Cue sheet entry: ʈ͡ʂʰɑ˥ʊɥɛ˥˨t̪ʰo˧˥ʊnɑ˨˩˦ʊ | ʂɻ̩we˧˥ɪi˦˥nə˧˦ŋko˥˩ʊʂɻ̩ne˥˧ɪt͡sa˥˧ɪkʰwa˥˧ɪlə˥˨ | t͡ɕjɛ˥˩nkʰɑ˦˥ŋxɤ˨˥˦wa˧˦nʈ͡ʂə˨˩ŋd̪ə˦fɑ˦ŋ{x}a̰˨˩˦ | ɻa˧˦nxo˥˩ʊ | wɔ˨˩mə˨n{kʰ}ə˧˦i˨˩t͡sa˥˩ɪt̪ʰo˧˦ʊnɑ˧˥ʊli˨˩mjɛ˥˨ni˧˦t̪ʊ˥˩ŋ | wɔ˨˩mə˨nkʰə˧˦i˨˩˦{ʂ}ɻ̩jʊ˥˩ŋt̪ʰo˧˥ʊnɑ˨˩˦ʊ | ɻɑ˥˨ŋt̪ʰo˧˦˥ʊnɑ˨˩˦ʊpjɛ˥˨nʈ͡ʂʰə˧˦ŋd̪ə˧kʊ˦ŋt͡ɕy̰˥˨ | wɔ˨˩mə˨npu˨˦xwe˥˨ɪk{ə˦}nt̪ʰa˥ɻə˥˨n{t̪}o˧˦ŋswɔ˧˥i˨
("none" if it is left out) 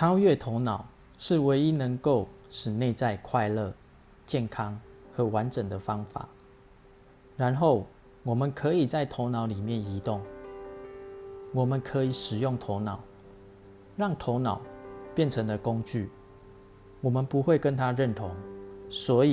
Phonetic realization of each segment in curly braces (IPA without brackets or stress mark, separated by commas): f, kʰ, ʂ, ə˦, t̪ʰ